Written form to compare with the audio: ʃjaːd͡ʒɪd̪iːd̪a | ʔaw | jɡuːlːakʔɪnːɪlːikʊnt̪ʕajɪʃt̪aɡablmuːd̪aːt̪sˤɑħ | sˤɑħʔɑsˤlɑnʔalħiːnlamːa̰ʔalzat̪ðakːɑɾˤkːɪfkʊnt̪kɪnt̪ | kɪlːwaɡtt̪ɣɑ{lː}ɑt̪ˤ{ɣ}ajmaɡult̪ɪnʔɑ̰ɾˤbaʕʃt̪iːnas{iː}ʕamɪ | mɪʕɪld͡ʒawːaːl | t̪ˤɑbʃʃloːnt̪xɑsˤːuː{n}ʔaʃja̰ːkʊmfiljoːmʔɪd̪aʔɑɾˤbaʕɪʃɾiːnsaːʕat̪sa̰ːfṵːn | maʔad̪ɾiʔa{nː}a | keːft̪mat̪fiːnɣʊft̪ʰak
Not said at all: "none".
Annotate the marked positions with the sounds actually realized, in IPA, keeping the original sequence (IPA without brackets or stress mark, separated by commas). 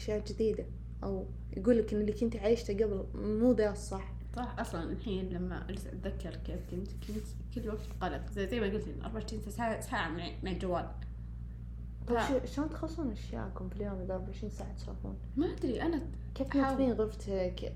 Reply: l, z, aː, n, n